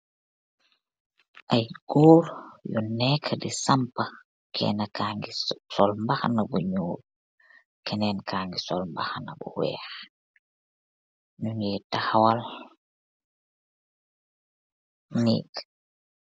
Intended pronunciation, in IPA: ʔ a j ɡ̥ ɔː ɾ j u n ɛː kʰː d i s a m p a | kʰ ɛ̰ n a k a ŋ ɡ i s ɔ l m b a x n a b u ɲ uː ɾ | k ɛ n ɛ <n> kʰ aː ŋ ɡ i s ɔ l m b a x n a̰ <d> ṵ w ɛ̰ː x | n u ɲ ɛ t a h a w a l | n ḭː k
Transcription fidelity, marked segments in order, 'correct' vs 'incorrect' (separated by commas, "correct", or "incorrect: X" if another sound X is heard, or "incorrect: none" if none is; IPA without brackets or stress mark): correct, incorrect: b